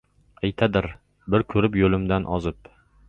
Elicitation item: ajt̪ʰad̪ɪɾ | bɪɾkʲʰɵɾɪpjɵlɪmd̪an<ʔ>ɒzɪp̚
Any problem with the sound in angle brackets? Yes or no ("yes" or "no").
no